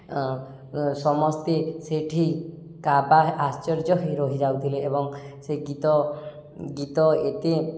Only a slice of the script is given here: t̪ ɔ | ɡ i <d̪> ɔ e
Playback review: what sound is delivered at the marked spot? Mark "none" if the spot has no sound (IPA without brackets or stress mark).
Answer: t̪